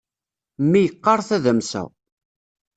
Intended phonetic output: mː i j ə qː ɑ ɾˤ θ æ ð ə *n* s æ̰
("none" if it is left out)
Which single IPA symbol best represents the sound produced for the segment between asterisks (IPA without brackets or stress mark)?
m